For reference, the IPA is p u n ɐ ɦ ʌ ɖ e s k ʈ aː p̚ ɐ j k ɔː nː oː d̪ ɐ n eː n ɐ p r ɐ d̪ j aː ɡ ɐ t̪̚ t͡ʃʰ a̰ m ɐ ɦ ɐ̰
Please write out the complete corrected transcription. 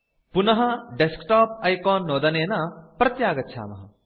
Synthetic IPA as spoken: p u n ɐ ɦ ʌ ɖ e s k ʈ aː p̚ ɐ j k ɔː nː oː d̪ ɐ n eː n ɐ p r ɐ t̪ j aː ɡ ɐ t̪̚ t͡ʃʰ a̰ m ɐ ɦ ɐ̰